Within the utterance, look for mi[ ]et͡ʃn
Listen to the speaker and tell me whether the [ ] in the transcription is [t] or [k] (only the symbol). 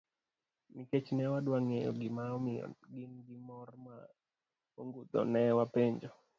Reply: k